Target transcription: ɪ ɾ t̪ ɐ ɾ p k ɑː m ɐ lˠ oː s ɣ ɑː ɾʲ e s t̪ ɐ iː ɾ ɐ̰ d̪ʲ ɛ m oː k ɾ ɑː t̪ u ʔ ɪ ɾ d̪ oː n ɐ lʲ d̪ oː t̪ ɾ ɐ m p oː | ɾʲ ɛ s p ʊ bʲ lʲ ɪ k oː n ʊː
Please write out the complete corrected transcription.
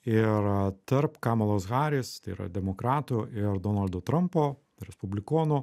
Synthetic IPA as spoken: ɪ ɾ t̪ ɐ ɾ p k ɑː m ɐ lˠ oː s ɣ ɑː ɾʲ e s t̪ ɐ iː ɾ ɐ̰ d̪ʲ ɛ m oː k ɾ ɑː t̪ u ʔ ɪ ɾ d̪ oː n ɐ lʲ d̪ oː t̪ ɾ ɐ m p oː | ɾʲ ɛ s p ʊ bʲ lʲ ɪ k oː n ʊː